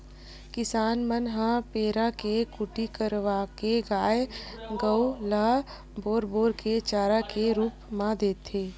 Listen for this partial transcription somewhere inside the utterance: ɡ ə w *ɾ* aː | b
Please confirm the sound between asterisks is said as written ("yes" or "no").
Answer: no